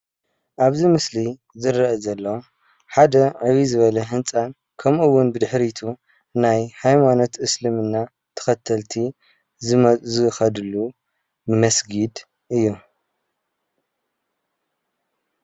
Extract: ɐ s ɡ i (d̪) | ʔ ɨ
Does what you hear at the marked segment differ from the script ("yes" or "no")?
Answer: no